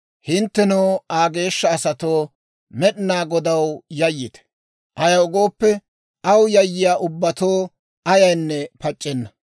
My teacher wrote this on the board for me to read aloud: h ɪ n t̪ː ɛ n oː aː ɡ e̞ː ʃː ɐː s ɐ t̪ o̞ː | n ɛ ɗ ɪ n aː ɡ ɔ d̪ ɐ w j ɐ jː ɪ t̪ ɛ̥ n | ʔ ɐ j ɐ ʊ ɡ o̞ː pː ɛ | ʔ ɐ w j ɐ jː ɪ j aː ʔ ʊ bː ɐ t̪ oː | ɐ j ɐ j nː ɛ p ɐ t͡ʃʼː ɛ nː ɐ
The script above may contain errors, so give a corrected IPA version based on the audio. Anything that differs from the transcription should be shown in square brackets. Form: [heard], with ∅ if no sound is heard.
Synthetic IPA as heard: h ɪ n t̪ː ɛ n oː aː ɡ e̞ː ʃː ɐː s ɐ t̪ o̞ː | [m] ɛ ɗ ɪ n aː ɡ ɔ d̪ ɐ w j ɐ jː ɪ t̪ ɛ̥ [∅] | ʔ ɐ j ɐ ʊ ɡ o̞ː pː ɛ | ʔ ɐ w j ɐ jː ɪ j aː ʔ ʊ bː ɐ t̪ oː | ɐ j ɐ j nː ɛ p ɐ t͡ʃʼː ɛ nː ɐ